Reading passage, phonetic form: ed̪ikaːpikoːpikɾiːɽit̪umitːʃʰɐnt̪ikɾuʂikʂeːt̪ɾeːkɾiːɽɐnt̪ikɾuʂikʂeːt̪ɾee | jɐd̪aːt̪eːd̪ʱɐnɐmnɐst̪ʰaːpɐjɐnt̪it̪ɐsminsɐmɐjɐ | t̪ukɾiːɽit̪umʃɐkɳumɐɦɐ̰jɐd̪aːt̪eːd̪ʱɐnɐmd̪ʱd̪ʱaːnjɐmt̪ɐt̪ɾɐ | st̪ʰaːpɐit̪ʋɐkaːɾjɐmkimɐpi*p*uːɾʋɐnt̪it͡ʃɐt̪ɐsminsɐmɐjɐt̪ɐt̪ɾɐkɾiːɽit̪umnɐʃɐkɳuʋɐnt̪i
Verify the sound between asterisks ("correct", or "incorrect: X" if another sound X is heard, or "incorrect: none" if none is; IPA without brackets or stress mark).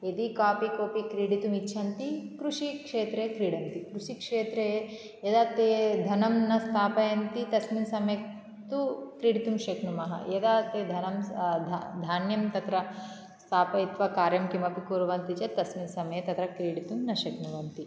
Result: incorrect: k